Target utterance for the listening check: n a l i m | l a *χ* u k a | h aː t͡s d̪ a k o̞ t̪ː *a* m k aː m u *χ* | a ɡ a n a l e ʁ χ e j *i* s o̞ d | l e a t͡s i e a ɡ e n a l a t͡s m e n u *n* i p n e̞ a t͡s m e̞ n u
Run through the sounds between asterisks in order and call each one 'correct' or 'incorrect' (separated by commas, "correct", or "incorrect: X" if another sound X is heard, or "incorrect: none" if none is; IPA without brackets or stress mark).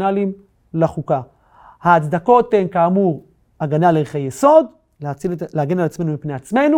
correct, incorrect: e, incorrect: ʁ, incorrect: e, incorrect: m